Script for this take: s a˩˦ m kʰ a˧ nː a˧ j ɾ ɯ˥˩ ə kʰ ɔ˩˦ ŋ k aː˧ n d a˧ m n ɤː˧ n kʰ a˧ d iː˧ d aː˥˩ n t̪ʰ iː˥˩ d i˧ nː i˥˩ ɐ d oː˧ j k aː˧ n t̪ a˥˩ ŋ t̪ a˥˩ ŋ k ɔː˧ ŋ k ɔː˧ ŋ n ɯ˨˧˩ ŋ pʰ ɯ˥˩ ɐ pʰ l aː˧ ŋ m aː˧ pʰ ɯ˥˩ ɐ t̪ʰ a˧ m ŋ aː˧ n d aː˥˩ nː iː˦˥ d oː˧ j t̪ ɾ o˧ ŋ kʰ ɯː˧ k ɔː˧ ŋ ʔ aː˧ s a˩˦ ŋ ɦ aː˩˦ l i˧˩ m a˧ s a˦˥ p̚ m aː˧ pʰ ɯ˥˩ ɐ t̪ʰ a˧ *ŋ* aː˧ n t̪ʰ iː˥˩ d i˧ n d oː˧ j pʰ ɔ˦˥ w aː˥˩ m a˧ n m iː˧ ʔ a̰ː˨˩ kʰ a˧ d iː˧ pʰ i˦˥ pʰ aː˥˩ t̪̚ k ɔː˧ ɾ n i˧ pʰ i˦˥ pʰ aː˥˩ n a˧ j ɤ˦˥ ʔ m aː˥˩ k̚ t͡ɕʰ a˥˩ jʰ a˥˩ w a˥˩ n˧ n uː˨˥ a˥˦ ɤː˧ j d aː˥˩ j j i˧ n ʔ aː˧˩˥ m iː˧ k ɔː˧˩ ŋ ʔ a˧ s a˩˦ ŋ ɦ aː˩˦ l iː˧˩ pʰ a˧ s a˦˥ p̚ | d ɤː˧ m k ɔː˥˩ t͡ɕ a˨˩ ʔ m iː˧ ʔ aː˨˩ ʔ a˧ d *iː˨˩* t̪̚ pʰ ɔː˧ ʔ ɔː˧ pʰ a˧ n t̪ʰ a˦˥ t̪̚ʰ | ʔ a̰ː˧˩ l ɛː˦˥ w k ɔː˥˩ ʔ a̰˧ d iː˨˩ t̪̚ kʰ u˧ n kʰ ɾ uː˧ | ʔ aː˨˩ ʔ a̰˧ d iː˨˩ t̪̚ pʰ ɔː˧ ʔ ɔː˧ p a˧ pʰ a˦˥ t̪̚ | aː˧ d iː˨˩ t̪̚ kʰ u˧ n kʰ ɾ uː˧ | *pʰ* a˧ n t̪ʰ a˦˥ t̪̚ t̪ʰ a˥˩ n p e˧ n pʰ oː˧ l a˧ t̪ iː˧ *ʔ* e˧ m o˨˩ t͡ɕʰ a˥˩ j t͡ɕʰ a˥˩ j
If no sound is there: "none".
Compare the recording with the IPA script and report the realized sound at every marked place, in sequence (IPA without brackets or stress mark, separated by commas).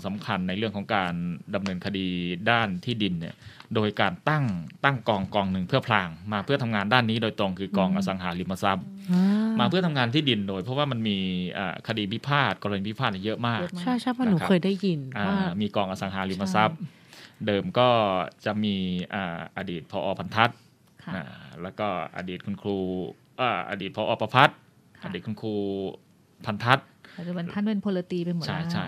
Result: ŋ, iː˨˩, pʰ, p